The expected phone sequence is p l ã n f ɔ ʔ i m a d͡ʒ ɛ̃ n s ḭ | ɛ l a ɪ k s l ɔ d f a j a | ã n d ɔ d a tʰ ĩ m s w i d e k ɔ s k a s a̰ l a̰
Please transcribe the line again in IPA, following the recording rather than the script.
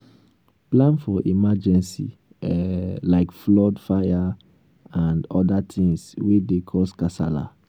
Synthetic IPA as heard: p l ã n f ɔ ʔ i m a d͡ʒ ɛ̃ n s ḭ | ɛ l a ɪ k f l ɔ d f a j a | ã n d ɔ d a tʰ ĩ ŋ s w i d e kʰ ɔ s k a s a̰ l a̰